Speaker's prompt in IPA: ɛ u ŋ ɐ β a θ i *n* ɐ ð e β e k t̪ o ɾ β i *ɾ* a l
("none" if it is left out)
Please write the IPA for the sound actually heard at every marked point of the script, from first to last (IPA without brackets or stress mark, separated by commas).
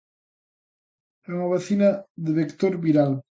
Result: n, ɾ